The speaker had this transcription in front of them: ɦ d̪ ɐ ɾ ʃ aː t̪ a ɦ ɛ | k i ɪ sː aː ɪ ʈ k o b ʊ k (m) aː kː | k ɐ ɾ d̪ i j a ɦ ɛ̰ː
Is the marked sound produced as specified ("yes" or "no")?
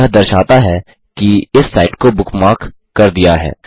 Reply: yes